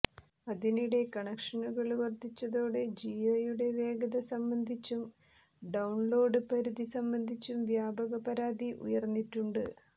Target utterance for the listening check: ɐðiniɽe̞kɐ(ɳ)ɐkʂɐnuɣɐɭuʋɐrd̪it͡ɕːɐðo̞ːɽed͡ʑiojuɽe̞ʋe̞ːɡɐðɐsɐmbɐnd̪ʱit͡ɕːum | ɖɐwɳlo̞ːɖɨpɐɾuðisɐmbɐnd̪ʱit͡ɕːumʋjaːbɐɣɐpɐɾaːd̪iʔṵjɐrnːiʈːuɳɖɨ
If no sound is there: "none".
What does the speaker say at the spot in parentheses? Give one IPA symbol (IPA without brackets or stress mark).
ɳ